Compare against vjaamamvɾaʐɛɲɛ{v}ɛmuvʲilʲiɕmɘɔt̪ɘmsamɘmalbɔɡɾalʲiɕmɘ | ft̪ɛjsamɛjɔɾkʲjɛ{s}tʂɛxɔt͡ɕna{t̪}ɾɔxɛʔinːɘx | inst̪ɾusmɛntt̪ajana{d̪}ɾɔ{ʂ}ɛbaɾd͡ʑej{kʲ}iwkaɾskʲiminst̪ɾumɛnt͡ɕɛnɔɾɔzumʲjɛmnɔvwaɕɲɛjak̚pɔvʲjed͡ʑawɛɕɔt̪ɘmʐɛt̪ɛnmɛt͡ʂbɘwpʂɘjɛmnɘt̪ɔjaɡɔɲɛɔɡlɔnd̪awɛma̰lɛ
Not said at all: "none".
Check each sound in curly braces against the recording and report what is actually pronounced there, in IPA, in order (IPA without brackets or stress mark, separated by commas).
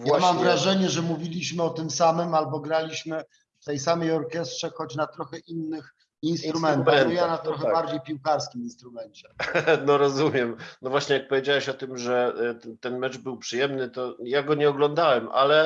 ʐ, s, t̪, t̪, x, pʲ